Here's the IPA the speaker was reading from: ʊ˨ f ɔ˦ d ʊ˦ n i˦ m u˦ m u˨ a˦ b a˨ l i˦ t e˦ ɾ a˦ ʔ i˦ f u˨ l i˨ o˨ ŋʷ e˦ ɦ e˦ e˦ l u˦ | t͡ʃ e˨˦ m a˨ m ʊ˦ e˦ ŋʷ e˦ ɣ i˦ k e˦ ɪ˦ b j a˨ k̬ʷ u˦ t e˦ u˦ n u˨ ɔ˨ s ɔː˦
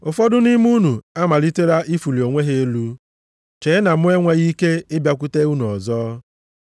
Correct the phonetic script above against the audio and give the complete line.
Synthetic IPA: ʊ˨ f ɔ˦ d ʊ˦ n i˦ m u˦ n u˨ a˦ m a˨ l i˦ t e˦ ɾ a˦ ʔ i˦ f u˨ l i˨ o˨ ŋʷ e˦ ɦ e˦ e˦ l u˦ | t͡ʃ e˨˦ n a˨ m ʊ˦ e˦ ŋʷ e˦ ɣ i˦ k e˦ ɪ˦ b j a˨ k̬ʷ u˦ t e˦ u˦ n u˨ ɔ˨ z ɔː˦

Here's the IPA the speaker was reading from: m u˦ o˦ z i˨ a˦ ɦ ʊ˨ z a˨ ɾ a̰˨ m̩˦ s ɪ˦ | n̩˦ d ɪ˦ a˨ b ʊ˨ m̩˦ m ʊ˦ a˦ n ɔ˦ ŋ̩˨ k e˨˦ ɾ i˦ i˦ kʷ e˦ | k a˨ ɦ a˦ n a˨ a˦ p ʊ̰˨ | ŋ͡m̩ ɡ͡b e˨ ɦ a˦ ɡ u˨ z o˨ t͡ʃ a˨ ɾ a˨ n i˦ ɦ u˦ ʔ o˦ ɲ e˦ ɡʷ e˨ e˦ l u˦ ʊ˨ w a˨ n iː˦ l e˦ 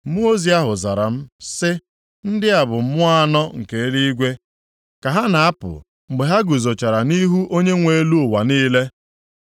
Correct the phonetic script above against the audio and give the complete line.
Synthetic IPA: m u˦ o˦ z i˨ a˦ ɦ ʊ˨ z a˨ ɾ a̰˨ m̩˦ s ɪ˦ | n̩˦ d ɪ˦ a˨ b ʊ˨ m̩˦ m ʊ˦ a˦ n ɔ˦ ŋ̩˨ k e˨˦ ɾ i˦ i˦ ɡʷ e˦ | k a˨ ɦ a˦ n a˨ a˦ p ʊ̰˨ | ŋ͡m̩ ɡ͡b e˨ ɦ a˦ ɡ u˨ z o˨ t͡ʃ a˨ ɾ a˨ n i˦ ɦ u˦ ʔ o˦ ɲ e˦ ŋʷ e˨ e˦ l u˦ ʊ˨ w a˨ n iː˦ l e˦

